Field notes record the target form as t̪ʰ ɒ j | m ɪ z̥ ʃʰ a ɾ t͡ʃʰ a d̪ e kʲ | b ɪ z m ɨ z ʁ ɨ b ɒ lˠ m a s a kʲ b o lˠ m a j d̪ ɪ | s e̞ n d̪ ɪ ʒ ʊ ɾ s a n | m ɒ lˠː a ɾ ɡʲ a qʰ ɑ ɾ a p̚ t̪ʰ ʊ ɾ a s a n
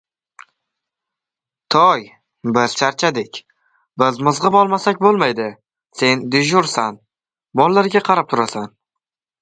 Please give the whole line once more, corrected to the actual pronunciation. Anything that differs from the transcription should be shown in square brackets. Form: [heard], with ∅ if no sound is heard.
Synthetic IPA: t̪ʰ ɒ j | [b] ɪ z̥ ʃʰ a ɾ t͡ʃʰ a d̪ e kʲ | b ɪ z m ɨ z ʁ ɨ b ɒ lˠ m a s a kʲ b o lˠ m a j d̪ ɪ | s e̞ n d̪ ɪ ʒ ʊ ɾ s a n | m ɒ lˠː a ɾ ɡʲ a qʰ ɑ ɾ a p̚ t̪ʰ ʊ ɾ a s a n